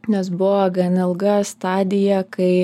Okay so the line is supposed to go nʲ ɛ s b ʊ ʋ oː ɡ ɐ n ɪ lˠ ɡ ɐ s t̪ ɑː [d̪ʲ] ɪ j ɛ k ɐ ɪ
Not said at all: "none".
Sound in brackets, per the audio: d̪ʲ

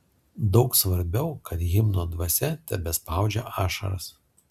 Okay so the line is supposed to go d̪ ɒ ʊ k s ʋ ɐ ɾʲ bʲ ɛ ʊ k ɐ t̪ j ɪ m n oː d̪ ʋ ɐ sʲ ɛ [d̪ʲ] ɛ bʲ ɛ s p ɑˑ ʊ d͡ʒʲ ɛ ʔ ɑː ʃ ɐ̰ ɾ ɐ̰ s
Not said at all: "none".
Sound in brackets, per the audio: t̪ʲ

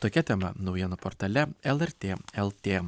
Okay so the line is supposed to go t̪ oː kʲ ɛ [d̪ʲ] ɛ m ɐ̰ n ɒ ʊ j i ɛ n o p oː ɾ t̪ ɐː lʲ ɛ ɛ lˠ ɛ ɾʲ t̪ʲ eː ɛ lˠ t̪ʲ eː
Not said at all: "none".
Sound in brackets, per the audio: t̪ʲ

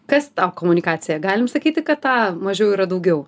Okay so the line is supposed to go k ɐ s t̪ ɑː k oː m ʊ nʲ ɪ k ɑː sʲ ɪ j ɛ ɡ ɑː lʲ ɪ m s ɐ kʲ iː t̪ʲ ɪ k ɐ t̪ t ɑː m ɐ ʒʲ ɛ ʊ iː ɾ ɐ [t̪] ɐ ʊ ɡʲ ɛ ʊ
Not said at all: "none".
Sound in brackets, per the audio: d̪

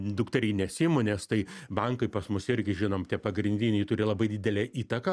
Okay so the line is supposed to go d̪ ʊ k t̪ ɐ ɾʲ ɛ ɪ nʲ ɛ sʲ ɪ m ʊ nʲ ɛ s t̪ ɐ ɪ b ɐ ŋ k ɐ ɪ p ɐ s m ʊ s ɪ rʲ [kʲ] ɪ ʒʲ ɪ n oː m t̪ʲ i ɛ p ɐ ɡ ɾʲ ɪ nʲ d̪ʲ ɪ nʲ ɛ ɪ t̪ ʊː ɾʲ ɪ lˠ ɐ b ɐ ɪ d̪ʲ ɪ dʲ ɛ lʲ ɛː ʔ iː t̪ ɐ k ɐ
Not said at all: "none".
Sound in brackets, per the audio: ɡʲ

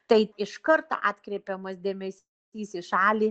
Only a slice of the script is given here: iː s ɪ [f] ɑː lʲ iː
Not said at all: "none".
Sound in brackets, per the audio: ʃ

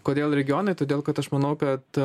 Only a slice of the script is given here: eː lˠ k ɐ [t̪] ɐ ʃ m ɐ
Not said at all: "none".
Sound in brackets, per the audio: t̪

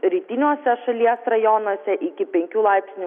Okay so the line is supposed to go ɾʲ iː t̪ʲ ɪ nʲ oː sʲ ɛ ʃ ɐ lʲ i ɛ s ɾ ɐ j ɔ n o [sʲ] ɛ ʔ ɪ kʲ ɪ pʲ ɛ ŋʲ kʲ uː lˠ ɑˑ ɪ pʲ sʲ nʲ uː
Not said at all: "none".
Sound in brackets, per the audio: sʲ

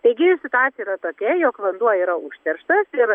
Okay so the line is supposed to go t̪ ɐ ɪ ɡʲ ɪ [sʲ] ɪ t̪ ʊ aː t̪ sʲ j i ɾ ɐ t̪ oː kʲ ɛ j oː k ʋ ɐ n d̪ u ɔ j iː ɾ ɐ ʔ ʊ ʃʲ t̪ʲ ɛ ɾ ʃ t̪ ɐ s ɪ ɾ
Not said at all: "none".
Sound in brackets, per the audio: sʲ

